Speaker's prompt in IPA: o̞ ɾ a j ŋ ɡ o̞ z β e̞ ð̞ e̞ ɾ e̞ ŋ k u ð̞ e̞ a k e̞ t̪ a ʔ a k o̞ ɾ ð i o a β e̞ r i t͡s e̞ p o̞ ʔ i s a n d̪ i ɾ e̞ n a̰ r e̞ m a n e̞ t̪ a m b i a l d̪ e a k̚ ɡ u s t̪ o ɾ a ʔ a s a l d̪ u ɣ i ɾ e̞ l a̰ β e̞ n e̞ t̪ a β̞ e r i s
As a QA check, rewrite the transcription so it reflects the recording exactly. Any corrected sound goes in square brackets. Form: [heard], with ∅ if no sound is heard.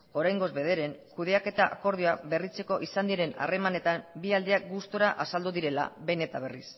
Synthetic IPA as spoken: o̞ ɾ a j ŋ ɡ o̞ z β e̞ ð̞ e̞ ɾ e̞ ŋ k u ð̞ e̞ a k e̞ t̪ a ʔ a k o̞ ɾ ð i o a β e̞ r i t͡s e̞ [k] o̞ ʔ i s a n d̪ i ɾ e̞ n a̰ r e̞ m a n e̞ t̪ a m b i a l d̪ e a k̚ ɡ u s t̪ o ɾ a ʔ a s a l d̪ u [ð] i ɾ e̞ l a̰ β e̞ n e̞ t̪ a β̞ e r i s

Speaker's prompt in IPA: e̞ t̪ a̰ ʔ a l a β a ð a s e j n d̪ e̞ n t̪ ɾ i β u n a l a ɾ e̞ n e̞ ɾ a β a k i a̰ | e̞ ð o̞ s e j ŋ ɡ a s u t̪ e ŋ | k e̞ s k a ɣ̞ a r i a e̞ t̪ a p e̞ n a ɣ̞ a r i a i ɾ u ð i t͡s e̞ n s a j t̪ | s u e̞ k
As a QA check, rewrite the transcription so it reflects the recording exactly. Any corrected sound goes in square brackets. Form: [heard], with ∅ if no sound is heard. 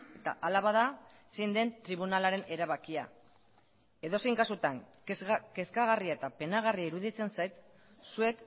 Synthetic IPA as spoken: e̞ t̪ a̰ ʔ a l a β a ð a s e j n d̪ e̞ n t̪ ɾ i β u n a l a ɾ e̞ n e̞ ɾ a β a k i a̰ | e̞ ð o̞ s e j ŋ [k] a s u t̪ [a] ŋ | k e̞ s k a ɣ̞ a r i a e̞ t̪ a p e̞ n a ɣ̞ a r i a i ɾ u ð i t͡s e̞ n s a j t̪ | s u e̞ k

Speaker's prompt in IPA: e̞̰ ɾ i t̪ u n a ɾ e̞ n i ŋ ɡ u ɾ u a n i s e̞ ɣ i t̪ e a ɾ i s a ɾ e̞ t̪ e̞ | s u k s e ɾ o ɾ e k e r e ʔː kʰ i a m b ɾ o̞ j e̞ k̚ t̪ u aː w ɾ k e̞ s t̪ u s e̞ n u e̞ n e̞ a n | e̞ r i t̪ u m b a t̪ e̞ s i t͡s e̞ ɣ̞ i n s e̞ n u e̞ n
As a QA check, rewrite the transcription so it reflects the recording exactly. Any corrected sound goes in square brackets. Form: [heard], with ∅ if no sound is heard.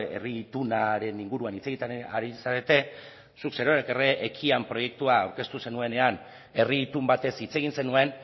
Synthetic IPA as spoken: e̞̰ [r] i t̪ u n a ɾ e̞ n i ŋ ɡ u ɾ u a n i [t͡s] e̞ ɣ i t̪ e a ɾ i s a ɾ e̞ t̪ e̞ | s u k s e ɾ o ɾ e k e r e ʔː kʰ i a m [p] ɾ o̞ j e̞ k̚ t̪ u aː w ɾ k e̞ s t̪ u s e̞ n u e̞ n e̞ a n | e̞ r i t̪ u m b a t̪ e̞ s i t͡s e̞ ɣ̞ i n s e̞ n u e̞ n

